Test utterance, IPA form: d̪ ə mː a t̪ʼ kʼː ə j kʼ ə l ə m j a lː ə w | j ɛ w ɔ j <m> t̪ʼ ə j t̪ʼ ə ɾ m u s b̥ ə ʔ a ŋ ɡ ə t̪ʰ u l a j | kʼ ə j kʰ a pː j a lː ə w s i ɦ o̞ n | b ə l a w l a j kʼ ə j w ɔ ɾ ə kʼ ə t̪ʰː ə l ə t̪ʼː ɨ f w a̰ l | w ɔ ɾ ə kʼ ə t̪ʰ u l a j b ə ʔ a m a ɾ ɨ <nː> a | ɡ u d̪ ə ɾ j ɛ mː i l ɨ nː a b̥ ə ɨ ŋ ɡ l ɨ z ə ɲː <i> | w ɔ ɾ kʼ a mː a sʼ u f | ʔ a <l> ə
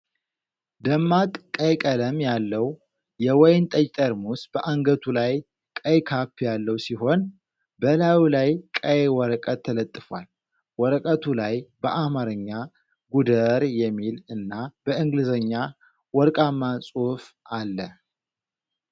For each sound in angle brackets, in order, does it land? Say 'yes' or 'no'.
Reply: no, no, no, no

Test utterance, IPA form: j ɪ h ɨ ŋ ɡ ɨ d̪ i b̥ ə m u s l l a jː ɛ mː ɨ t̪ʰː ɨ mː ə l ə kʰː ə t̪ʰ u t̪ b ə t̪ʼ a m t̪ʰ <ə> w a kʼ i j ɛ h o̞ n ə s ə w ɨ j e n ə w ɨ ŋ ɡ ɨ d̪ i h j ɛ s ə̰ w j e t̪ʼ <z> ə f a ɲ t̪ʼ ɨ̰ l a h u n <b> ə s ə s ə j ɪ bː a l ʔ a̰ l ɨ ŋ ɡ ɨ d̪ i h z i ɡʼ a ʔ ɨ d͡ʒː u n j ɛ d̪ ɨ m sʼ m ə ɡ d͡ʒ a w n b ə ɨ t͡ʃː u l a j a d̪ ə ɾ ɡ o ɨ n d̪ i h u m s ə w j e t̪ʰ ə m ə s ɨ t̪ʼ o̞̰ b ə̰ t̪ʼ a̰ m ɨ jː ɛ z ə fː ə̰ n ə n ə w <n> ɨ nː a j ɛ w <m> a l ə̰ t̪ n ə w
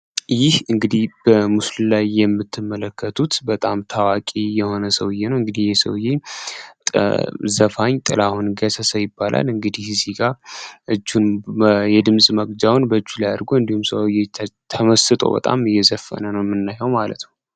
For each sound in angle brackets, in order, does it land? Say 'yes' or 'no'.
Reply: no, yes, no, no, yes

